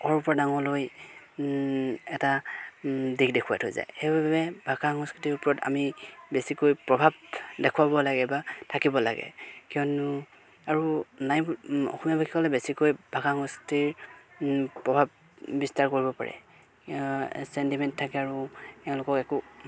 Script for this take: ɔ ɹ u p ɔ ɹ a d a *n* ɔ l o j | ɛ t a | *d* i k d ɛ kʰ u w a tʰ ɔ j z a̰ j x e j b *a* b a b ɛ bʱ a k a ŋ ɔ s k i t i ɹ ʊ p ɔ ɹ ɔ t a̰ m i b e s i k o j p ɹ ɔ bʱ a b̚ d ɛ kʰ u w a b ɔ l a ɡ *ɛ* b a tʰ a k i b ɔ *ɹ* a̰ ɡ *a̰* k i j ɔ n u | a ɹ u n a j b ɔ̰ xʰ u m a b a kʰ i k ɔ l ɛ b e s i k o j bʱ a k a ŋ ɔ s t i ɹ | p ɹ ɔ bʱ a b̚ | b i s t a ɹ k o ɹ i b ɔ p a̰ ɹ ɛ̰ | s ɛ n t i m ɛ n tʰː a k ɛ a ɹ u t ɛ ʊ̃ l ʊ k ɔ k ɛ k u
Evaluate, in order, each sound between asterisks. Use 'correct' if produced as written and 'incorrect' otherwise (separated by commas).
incorrect, correct, correct, correct, incorrect, incorrect